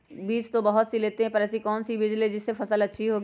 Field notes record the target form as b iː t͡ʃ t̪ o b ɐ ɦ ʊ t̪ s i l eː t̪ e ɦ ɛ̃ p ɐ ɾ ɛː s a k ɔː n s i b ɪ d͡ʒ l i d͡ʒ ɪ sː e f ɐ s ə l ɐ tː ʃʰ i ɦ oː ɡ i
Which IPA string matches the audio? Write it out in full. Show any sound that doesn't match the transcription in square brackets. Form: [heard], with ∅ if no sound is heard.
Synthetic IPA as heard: b iː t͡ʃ t̪ o b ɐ ɦ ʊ t̪ s i l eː t̪ e ɦ ɛ̃ p ɐ ɾ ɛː s [i] k ɔː n s i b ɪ d͡ʒ l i d͡ʒ ɪ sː e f ɐ s ə l ɐ tː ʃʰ i ɦ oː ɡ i